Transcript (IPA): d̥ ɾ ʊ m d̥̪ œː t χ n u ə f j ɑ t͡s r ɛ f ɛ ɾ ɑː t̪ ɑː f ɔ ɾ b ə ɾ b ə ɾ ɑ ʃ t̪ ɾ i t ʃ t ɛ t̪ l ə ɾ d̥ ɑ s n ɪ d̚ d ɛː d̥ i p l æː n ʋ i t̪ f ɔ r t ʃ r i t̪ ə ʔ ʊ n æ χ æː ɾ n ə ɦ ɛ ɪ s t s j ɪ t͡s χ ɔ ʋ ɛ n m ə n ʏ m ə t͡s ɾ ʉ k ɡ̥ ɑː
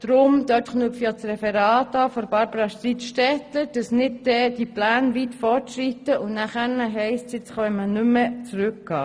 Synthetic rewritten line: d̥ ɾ ʊ m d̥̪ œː t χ n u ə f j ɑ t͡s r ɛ f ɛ ɾ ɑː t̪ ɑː f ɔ ɾ b ɑ ɾ b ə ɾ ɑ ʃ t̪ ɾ i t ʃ t ɛ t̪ l ə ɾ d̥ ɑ s n ɪ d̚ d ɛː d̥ i p l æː n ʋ i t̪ f ɔ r t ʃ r i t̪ ə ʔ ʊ n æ χ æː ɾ n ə ɦ ɛ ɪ s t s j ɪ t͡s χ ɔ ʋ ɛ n m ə n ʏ m ə t͡s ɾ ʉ k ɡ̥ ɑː